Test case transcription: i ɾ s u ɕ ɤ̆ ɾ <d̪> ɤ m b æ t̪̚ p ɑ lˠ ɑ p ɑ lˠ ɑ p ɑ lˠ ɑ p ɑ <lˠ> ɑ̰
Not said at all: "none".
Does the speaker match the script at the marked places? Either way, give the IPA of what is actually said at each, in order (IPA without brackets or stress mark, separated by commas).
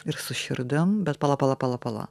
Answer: d̪, lˠ